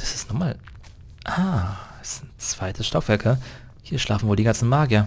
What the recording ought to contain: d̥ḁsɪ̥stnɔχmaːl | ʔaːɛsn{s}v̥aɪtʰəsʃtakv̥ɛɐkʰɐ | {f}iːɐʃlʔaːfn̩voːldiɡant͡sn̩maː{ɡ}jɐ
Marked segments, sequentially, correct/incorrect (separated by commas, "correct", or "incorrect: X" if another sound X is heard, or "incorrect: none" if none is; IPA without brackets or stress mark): incorrect: t͡s, incorrect: h, correct